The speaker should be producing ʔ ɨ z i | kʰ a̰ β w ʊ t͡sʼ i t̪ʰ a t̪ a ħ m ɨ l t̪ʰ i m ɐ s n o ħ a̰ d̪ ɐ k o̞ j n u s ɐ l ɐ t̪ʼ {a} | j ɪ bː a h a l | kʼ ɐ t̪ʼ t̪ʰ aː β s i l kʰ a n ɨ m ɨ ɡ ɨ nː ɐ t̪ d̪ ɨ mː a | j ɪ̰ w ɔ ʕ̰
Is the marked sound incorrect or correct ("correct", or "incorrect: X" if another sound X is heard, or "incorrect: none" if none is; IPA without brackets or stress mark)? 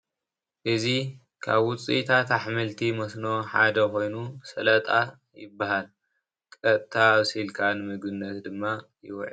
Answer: correct